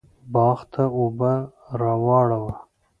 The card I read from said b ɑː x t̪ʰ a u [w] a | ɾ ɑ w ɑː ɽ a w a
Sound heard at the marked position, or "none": b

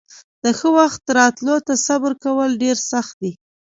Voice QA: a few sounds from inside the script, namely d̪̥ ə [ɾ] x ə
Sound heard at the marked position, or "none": none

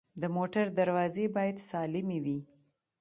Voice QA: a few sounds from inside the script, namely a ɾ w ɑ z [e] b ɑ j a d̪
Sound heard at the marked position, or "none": e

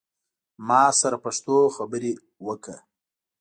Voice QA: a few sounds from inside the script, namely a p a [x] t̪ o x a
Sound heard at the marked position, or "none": ʂ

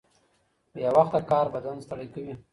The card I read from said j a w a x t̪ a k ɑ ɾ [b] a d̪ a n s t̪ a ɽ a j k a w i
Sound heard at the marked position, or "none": b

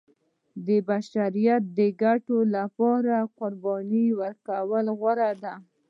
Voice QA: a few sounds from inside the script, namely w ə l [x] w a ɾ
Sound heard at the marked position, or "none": ɣ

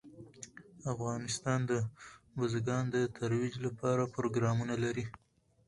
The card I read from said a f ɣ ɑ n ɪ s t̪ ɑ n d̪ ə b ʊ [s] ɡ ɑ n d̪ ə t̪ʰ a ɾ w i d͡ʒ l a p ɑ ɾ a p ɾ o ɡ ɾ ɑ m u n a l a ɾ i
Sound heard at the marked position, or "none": z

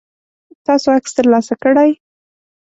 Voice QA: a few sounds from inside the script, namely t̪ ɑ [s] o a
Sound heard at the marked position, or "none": s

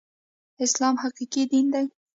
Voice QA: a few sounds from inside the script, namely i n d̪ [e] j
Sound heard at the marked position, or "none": a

